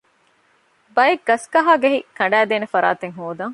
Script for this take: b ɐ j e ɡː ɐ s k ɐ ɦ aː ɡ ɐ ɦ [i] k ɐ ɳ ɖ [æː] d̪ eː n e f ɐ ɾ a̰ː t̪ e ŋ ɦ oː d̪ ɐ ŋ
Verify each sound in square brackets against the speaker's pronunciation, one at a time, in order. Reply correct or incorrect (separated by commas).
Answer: correct, correct